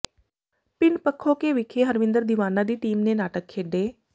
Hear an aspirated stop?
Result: yes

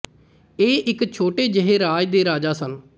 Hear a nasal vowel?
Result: no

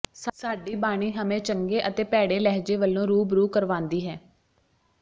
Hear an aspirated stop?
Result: no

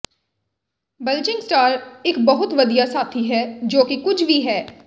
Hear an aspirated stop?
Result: yes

